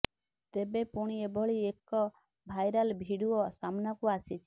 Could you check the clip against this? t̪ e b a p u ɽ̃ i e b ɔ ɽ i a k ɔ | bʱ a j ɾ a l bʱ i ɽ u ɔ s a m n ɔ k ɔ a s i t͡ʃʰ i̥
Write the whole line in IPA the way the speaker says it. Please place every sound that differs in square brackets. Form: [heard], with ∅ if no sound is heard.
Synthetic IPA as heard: t̪ e b [e] p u ɽ̃ i e b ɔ [ɭ] i [e] k ɔ | bʱ a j ɾ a l bʱ i ɽ u ɔ s a m n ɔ k [u] a s i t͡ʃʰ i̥